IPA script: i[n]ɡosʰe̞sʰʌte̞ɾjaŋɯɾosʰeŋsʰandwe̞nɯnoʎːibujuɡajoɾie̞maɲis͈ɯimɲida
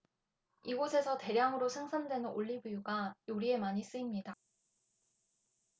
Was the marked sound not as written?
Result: yes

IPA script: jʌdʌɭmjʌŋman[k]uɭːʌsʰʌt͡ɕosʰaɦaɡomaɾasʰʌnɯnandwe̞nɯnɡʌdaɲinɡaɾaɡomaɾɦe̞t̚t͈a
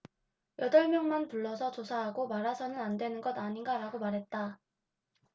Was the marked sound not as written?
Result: yes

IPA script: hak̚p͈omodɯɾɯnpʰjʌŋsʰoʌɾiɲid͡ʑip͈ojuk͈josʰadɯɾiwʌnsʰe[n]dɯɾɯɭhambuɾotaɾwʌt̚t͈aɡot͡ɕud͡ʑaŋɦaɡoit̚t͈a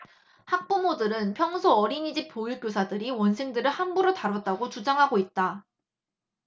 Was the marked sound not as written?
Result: yes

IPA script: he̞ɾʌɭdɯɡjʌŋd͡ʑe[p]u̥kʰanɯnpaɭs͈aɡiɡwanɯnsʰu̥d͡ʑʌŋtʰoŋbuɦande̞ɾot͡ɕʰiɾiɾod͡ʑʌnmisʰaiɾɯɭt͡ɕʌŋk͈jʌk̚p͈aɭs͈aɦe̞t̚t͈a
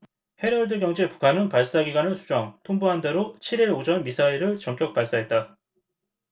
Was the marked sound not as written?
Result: no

